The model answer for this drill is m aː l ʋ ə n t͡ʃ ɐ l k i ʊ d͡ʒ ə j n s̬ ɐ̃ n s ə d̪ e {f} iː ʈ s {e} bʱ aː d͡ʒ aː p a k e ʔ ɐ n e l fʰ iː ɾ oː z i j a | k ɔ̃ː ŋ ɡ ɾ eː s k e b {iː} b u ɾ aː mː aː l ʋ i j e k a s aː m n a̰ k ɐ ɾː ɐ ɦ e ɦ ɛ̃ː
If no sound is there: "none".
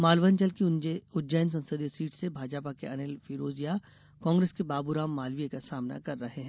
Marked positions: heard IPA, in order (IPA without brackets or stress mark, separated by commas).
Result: s, e, aː